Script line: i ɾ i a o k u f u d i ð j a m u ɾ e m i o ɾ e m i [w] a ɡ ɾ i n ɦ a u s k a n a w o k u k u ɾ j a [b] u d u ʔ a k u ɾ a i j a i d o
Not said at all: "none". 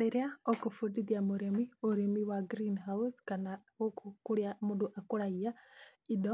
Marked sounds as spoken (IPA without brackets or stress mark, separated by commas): w, m